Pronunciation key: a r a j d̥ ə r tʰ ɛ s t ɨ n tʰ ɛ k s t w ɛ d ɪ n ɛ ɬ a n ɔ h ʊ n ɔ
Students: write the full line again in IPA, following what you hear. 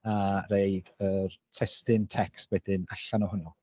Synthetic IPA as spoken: a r e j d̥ ə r tʰ ɛ s t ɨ n tʰ ɛ k s t w ɛ d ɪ n a ɬ a n ɔ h ʊ n ɔ